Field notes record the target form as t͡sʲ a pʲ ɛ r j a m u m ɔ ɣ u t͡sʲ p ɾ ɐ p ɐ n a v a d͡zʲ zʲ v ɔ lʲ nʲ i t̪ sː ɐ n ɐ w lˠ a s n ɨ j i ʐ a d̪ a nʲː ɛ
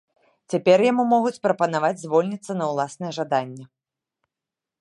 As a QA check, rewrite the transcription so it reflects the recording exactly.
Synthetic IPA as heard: t͡sʲ a pʲ ɛ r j a m u m ɔ ɣ u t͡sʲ p ɾ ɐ p ɐ n a v a d͡zʲ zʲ v ɔ lʲ nʲ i t̪ sː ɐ n ɐ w lˠ a s n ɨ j ɛ ʐ a d̪ a nʲː ɛ